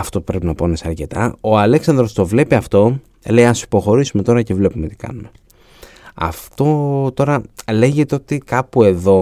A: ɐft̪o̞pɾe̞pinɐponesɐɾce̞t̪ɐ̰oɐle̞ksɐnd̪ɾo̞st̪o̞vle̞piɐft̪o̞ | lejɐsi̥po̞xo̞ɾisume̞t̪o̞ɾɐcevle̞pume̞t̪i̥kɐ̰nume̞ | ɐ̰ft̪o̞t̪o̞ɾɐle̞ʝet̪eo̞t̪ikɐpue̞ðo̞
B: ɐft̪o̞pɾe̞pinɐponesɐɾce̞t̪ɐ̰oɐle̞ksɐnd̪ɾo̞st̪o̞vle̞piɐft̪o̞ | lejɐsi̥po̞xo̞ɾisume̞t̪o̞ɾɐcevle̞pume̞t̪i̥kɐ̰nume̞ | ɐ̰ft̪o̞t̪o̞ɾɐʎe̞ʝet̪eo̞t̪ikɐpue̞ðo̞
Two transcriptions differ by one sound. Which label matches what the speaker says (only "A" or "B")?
A